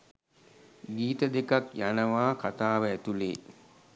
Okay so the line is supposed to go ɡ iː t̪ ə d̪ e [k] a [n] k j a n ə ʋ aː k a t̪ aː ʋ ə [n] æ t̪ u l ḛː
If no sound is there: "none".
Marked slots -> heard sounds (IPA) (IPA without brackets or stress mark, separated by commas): k, none, none